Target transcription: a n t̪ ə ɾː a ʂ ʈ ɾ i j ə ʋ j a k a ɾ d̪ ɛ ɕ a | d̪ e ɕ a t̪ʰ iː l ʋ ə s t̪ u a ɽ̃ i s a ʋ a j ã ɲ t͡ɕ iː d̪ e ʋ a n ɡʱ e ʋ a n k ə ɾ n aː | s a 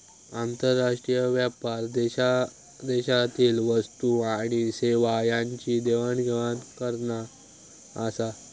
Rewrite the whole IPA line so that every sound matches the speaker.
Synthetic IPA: a n t̪ ə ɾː a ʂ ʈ ɾ i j ə ʋ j a p a ɾ d̪ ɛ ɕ a | d̪ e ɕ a t̪ iː l ʋ ə s t̪ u a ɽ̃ i s e ʋ a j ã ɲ t͡ɕ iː d̪ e ʋ a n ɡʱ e ʋ a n k ə ɾ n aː | s a

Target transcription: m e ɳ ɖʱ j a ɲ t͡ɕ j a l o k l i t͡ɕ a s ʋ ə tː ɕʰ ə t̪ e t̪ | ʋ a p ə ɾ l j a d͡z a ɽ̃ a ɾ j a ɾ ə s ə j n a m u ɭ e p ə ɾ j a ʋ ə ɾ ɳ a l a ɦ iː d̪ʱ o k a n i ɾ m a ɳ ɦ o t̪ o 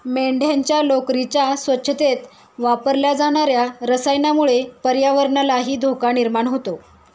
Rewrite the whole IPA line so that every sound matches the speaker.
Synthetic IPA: m e ɳ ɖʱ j a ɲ t͡ɕ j a l o k ɾ i t͡ɕ a s ʋ ə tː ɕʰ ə t̪ e t̪ | ʋ a p ə ɾ l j a d͡z a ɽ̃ a ɾ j a ɾ ə s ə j n a m u ɭ e p ə ɾ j a ʋ ə ɾ ɳ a l a ɦ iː d̪ʱ o k a n i ɾ m a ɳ ɦ o t̪ o

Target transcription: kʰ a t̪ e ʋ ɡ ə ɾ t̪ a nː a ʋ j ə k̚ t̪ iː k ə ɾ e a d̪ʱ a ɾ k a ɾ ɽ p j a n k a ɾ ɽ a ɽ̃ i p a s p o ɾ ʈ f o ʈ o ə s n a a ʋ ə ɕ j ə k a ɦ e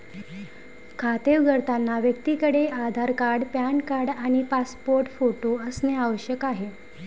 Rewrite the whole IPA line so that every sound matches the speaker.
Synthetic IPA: kʰ a t̪ e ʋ ɡ ə ɾ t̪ a nː a ʋ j ə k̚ t̪ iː k ə ɽ e a d̪ʱ a ɾ k a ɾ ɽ p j a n k a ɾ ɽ a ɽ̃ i p a s p o ɾ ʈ f o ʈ o ə s n e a ʋ ə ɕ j ə k a ɦ e

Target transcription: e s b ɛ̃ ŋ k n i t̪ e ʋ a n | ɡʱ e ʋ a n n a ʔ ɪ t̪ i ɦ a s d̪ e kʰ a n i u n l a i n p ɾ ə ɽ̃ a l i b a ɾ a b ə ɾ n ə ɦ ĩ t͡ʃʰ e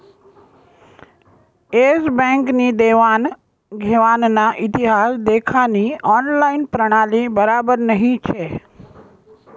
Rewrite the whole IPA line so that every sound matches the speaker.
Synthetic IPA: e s b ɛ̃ ŋ k n i d̪ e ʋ a n | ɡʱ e ʋ a n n a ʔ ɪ t̪ i ɦ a s d̪ e kʰ a n i ɔ n l a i n p ɾ ə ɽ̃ a l i b ə ɾ a b ə ɾ n ə ɦ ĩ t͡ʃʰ e

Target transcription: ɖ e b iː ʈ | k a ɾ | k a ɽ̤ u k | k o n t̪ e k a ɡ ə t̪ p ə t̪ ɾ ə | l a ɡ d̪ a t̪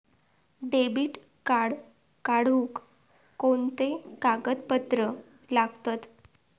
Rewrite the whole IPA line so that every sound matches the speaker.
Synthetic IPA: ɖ e b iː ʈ | k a ɽ | k a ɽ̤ u k | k o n t̪ e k a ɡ ə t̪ p ə t̪ ɾ ə | l a ɡ t̪ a t̪

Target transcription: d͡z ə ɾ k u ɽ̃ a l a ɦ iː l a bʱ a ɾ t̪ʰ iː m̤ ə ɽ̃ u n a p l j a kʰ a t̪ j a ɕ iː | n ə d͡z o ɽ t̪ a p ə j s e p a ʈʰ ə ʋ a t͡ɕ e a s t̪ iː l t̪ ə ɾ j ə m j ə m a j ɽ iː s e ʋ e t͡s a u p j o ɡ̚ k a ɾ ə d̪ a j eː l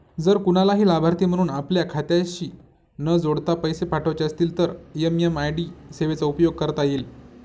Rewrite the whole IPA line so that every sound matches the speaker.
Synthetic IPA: d͡z ə ɾ k u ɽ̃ a l a ɦ iː l a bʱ a ɾ t̪ iː m̤ ə ɽ̃ uː n a p l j a kʰ a t̪ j a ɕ iː | n ə d͡z o ɽ t̪ a p ə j s e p a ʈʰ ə ʋ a t͡ɕ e ə s t̪ iː l t̪ ə ɾ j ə m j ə m a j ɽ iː s e ʋ e t͡s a u p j o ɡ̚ k ə ɾ ə t̪ a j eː l

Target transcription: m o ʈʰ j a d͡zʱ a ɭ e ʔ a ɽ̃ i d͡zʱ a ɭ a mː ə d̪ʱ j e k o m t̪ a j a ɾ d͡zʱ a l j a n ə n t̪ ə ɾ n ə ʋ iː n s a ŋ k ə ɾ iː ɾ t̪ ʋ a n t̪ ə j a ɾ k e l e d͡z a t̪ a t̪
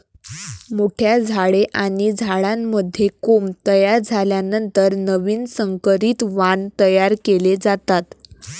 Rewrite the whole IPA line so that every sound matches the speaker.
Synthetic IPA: m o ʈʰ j a d͡zʱ a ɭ e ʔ a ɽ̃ i d͡zʱ a ɭ a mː ə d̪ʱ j e k o m t̪ ə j a ɾ d͡zʱ a l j a n ə n t̪ ə ɾ n ə ʋ iː n s ə ŋ k ə ɾ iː t̪ ʋ a n t̪ ə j a ɾ k e l e d͡z a t̪ a t̪

